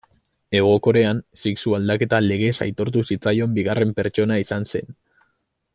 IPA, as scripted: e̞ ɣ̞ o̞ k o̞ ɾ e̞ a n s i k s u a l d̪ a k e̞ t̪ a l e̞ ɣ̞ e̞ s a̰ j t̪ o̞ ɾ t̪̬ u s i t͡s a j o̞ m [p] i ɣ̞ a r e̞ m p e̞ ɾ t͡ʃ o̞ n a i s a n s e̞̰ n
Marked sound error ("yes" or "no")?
yes